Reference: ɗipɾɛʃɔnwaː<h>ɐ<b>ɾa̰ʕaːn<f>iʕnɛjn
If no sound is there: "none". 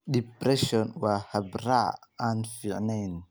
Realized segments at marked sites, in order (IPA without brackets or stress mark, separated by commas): h, b, f